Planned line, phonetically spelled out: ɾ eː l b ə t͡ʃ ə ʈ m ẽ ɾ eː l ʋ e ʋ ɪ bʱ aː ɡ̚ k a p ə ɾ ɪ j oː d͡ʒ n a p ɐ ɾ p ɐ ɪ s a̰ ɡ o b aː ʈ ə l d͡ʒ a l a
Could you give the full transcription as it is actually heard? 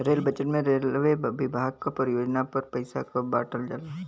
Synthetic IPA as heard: ɾ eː l b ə t͡ʃ ə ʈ m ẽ ɾ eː l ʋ e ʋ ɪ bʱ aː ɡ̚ k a p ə ɾ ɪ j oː d͡ʒ n a p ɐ ɾ p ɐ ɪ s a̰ k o b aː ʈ ə l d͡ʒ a l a